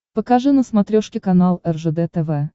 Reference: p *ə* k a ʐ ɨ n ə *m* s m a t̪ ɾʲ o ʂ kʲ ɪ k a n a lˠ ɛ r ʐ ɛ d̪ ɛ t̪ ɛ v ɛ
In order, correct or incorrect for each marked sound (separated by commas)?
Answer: correct, incorrect